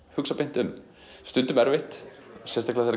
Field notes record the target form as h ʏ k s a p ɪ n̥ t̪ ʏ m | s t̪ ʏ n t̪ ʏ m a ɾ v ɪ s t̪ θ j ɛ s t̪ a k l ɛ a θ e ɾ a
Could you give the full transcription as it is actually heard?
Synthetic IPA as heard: h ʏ k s a p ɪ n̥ t̪ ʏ m | s t̪ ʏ n t̪ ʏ m ɛ ɾ v ɪ h t̪ s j ɛ s t̪ a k l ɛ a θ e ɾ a

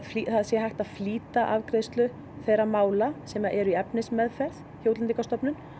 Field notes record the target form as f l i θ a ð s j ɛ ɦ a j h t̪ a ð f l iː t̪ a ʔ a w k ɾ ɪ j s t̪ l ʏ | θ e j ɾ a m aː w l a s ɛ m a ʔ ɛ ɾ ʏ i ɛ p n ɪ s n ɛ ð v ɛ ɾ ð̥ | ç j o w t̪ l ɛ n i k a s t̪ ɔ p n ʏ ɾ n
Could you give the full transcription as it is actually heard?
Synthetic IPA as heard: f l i θ a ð s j ɛ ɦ a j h t̪ a ð f l iː t̪ a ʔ a v k ɾ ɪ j s t̪ l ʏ | θ e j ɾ a m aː w l a s ɛ m a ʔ ɛ ɾ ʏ i ɛ p n ɪ s m ɛ ð f ɛ ɾ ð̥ | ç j o w t̪ l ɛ n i k a s t̪ ɔ p n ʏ n

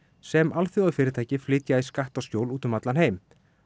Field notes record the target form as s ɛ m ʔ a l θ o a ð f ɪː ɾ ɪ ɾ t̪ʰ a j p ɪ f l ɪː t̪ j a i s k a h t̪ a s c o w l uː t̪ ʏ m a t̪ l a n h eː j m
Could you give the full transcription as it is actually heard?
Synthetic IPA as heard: s ɛ m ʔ a l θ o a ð f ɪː ɾ ɪ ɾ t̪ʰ a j c ɪ f l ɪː t̪ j a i s k a h t̪ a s c o w l uː t̪ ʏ m a t̪ l a n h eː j m

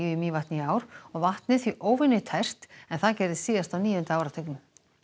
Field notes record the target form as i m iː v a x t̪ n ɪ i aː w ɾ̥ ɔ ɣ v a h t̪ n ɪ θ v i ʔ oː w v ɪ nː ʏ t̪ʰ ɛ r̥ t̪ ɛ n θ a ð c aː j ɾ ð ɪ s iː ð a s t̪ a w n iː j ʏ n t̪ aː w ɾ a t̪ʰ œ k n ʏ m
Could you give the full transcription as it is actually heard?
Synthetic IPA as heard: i m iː v a h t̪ n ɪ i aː w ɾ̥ ɔ ɣ v a h t̪ n ɪ θ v i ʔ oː w v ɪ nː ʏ t̪ʰ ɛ r̥ t̪ ɛ n θ a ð c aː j ɾ ð ɪ s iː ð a s t̪ a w n iː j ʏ n t̪ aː w ɾ a t̪ʰ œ k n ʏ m

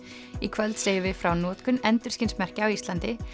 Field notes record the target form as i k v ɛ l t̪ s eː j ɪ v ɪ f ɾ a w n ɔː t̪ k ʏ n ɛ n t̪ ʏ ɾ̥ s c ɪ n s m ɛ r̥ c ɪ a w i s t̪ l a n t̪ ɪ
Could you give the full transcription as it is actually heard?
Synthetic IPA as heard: i kʰ v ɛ l t̪ s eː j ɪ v ɪ f ɾ a w n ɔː t̪ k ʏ n ɛ n t̪ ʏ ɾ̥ s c ɪ n s m ɛ r̥ c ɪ a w i s t̪ l a n t̪ ɪ

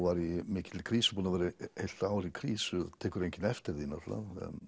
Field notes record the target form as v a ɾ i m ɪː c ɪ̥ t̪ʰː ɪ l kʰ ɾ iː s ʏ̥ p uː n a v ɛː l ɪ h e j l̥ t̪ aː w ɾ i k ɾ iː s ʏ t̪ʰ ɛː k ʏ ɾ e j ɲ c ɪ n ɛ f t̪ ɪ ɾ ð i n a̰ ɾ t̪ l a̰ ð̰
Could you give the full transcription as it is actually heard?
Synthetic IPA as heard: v a ɾ i m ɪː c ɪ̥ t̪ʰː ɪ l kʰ ɾ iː s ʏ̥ p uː n a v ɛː ɾ ɪ h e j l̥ t̪ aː w ɾ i kʰ ɾ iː s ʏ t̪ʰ ɛː k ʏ ɾ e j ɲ c ɪ n ɛ f t̪ ɪ ɾ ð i n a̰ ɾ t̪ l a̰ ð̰

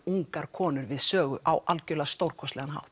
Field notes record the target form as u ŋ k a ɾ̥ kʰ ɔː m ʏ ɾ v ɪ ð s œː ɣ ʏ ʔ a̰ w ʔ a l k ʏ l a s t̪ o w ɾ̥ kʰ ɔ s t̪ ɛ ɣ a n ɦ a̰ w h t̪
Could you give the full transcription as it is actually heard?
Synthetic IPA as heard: u ŋ k a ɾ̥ kʰ ɔː n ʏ ɾ v ɪ ð s œː ɣ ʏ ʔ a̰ w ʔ a l c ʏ l a s t̪ o w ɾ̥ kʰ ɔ s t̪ ɛ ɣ a n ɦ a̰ w h t̪

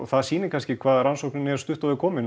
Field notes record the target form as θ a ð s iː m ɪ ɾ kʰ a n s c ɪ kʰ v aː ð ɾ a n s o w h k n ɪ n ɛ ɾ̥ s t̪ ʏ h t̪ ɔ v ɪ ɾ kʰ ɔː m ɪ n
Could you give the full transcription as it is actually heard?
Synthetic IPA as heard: θ a ð s iː n ɪ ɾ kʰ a n s c ɪ kʰ v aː ð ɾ a n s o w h k n ɪ n ɛ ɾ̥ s t̪ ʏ h t̪ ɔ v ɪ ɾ kʰ ɔː m ɪ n

